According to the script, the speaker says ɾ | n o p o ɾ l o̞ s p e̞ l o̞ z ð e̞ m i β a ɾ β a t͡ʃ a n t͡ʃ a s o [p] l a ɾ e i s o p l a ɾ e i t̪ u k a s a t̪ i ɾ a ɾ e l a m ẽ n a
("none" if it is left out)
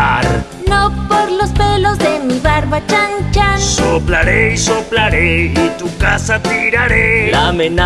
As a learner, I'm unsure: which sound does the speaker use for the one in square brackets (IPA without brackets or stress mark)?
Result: p